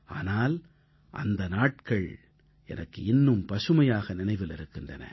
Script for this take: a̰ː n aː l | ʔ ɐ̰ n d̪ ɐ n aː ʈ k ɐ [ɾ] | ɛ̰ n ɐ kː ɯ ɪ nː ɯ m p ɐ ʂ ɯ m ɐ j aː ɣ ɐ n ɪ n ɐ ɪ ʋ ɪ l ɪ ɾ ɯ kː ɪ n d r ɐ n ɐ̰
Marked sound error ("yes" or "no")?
yes